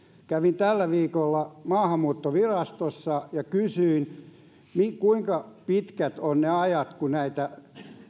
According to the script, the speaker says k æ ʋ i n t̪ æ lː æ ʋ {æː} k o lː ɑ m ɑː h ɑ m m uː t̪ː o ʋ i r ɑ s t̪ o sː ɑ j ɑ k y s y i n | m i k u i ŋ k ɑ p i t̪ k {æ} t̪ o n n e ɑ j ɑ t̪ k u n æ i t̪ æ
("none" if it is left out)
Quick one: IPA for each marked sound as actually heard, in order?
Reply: iː, æ

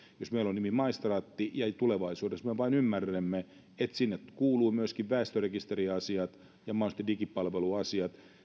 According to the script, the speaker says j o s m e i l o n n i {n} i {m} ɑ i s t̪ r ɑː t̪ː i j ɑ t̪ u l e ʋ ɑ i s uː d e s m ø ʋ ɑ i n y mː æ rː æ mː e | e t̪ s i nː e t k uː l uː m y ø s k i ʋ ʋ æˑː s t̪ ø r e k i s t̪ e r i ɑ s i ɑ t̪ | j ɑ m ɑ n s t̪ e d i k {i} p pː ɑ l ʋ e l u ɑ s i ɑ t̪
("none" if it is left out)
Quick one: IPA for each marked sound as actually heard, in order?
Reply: m, m, i

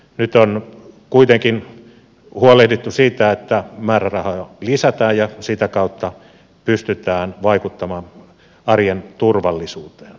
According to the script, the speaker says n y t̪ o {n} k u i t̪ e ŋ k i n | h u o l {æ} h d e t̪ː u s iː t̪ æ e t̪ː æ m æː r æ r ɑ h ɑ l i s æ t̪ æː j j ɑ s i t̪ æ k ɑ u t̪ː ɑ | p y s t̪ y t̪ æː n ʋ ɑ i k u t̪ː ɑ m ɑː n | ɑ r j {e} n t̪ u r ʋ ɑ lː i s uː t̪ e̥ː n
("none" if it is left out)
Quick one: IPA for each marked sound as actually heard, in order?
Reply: n, e, e

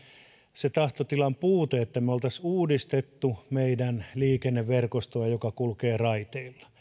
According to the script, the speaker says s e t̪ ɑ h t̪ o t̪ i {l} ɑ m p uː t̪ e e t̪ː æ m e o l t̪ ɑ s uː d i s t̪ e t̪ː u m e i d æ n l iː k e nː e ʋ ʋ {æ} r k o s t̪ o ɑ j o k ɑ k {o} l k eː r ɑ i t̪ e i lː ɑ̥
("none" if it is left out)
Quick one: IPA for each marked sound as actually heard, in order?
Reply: l, e, u

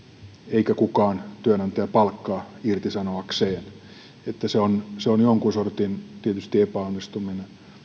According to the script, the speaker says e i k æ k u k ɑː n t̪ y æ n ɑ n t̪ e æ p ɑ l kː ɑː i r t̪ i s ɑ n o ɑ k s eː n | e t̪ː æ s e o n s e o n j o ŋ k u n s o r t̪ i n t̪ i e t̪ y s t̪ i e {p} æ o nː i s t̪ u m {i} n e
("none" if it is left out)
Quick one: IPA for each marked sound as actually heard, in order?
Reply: p, i

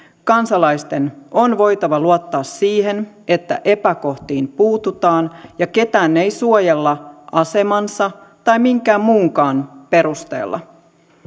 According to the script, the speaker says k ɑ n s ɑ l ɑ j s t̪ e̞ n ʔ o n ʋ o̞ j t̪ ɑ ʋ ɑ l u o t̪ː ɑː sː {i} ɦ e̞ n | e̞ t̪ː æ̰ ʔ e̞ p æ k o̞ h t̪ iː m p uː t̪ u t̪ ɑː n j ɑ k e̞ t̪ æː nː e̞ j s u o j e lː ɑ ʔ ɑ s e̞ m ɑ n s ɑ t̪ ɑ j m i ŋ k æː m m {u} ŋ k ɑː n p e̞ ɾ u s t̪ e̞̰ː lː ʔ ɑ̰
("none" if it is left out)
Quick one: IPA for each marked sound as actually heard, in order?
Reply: iː, uː

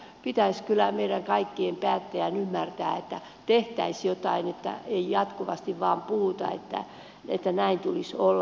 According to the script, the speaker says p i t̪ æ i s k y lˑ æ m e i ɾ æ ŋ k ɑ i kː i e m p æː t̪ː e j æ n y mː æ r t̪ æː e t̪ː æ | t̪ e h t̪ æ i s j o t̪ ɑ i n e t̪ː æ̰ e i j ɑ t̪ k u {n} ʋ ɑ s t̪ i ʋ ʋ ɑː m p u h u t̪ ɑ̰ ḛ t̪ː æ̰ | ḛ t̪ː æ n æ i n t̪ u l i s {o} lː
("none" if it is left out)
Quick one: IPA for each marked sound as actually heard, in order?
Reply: none, o

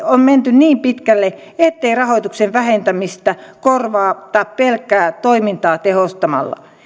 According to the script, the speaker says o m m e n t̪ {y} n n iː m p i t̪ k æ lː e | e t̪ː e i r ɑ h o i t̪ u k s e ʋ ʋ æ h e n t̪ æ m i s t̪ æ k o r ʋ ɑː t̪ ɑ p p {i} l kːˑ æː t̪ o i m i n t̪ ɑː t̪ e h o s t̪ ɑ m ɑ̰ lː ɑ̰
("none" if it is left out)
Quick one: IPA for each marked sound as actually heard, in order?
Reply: y, e

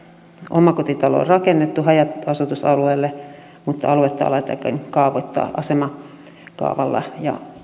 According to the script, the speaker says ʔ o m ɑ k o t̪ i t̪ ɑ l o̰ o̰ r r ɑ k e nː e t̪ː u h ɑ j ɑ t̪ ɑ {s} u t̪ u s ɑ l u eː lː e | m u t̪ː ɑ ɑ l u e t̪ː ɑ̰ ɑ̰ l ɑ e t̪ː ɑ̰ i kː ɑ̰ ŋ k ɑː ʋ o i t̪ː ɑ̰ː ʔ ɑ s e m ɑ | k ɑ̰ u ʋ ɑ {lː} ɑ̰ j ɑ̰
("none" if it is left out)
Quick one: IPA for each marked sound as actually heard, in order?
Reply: s, lː

